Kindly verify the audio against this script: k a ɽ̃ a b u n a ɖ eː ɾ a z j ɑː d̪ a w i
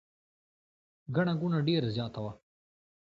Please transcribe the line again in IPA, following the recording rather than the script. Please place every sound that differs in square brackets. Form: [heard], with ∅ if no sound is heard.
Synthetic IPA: [ɡ] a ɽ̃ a [ɡ] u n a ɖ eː ɾ a z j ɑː [t̪] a w [a]